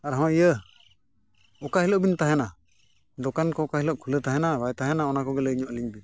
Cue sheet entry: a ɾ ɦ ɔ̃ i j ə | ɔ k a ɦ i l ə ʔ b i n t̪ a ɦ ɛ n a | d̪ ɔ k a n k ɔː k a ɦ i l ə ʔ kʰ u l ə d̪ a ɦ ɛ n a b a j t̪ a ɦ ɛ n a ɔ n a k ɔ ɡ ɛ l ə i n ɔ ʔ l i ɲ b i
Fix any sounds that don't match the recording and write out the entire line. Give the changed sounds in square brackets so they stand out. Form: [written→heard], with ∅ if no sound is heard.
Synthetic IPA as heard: a ɾ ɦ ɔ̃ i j ə | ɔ k a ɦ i l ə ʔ b i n t̪ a ɦ ɛ n a | d̪ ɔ k a n k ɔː k a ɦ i l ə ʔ kʰ u l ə [d̪→t̪] a ɦ ɛ n a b a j t̪ a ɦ ɛ n a ɔ n a k ɔ ɡ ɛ l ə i [n→ɲ] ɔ ʔ l i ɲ b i